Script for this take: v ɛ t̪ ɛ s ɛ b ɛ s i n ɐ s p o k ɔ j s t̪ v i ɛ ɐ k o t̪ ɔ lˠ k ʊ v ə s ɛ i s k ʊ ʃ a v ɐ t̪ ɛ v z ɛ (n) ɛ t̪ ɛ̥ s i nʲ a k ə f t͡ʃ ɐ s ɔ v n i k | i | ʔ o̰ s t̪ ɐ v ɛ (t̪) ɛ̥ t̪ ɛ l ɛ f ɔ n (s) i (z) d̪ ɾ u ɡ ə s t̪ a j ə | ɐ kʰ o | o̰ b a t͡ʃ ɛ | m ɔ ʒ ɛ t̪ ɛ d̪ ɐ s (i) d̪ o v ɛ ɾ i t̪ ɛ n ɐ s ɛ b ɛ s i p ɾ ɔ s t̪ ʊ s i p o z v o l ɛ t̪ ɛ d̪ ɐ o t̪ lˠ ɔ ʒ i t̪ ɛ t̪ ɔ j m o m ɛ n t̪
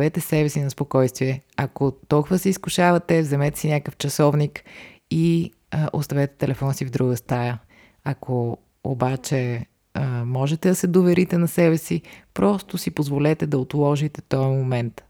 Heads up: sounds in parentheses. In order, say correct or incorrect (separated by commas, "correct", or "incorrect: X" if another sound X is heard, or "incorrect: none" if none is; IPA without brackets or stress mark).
incorrect: m, correct, correct, incorrect: v, incorrect: ɛ